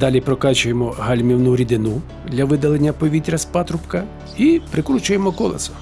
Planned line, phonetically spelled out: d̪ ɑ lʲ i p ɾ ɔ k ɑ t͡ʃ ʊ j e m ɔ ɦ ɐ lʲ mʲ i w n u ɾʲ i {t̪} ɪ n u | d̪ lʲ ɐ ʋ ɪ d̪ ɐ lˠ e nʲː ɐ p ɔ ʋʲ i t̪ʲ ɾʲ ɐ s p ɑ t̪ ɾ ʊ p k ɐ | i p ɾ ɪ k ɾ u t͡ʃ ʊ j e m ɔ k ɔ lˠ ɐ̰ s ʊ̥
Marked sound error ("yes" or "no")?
yes